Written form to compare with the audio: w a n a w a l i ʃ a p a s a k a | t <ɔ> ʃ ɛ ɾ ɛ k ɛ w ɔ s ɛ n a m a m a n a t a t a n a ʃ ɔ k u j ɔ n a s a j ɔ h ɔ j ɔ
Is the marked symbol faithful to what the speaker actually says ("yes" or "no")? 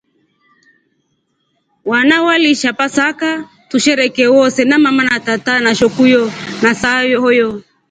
no